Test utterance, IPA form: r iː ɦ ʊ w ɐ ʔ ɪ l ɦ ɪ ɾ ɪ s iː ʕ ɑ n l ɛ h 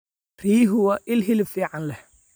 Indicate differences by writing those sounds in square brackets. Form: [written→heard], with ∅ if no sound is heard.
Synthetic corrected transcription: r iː ɦ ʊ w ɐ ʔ ɪ l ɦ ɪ [ɾ→l] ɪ [s→f] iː ʕ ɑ n l ɛ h